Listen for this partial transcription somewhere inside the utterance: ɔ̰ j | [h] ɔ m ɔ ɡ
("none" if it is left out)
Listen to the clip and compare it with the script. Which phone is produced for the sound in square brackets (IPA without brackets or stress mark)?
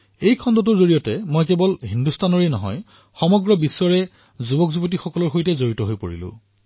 x